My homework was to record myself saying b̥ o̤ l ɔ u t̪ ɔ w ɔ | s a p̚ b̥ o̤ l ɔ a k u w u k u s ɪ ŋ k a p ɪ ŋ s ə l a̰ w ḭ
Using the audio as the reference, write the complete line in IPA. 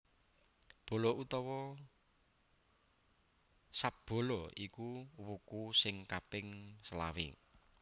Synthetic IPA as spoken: b̥ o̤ l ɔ u t̪ ɔ w ɔ | s a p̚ b̥ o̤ l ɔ i k u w u k u s ɪ ŋ k a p ɪ ŋ s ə l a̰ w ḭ